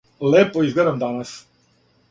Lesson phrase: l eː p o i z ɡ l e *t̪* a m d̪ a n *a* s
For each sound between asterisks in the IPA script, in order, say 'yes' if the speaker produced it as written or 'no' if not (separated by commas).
no, yes